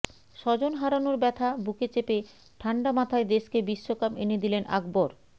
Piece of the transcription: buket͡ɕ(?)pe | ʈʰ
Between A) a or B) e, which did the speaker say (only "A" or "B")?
B